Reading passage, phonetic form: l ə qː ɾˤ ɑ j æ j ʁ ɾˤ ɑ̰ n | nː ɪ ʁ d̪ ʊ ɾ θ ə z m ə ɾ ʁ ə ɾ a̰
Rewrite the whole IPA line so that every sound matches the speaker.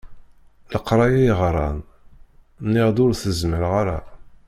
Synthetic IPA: l ə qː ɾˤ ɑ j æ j ʁ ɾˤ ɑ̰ n | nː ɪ ʁ d̪ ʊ ɾ θ ə z m ə ɾ ʁ a ɾ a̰